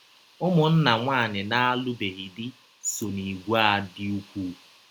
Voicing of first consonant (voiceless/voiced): voiced